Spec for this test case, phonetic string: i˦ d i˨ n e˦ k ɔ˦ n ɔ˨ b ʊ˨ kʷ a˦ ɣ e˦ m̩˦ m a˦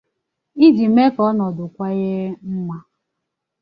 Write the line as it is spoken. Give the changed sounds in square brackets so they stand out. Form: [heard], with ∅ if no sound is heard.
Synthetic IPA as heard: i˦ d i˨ [m] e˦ k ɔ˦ n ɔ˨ [d] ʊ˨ kʷ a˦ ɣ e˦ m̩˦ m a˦